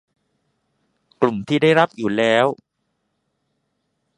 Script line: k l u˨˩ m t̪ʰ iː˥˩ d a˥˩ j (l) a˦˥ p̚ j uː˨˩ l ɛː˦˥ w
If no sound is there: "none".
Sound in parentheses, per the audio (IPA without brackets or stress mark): ɾ